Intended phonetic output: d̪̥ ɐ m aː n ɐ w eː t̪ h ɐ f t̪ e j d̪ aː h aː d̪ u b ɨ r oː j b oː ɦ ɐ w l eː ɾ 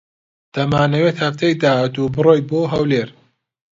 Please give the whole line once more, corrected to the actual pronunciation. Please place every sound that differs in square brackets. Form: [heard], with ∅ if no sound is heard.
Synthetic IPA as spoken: d̪̥ ɐ m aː n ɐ w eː t̪ h ɐ f t̪ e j d̪ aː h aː [t̪] u b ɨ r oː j b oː ɦ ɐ w l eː ɾ